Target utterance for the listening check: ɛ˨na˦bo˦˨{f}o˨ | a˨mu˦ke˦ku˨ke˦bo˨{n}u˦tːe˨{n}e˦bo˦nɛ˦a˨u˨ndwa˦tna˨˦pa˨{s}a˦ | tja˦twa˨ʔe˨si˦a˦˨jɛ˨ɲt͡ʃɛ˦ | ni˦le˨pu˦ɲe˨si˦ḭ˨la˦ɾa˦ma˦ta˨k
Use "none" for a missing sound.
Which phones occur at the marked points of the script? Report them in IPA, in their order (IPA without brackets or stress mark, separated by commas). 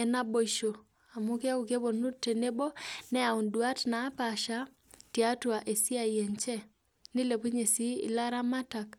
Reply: ʃ, n, n, ʃ